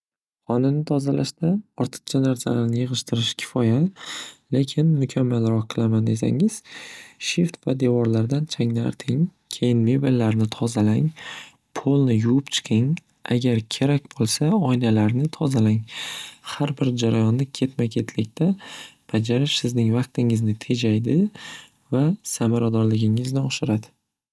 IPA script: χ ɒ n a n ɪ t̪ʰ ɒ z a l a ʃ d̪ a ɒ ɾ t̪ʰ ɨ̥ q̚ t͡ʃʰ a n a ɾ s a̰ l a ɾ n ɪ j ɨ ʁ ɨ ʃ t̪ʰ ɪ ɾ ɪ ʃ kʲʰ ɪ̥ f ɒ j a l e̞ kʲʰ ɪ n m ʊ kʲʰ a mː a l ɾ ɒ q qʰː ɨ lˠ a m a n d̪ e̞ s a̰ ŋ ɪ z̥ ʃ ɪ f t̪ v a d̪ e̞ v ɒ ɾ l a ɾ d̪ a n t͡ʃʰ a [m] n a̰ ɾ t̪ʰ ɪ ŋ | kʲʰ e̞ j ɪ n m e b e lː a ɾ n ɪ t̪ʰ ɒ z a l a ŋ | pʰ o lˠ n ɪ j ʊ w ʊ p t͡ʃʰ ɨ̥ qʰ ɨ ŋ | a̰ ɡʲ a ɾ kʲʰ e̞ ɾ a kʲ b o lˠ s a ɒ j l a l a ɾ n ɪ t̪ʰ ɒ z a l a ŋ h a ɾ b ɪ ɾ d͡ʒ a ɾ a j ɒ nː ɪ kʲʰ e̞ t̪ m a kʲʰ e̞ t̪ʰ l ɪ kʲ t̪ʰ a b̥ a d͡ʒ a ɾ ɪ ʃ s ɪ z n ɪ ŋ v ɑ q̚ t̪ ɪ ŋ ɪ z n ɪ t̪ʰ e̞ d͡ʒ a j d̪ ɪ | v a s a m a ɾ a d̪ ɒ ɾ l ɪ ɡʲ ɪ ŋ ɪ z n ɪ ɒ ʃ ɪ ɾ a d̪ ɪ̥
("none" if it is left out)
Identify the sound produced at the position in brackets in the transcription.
ŋ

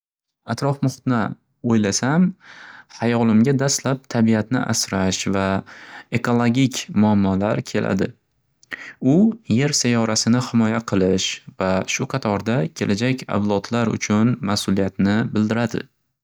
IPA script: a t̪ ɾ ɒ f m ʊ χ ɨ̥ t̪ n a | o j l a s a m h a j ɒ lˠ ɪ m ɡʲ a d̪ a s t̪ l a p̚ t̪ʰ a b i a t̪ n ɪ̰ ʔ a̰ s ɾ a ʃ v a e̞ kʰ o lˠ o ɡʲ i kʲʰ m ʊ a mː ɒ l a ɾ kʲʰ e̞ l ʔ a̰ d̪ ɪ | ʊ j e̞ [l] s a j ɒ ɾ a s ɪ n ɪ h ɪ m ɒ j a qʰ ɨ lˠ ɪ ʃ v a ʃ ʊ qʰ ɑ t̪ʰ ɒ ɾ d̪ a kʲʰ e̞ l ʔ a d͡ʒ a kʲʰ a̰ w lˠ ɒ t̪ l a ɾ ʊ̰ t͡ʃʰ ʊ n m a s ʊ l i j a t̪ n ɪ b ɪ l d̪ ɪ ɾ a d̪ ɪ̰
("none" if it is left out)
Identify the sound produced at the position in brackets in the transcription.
ɾ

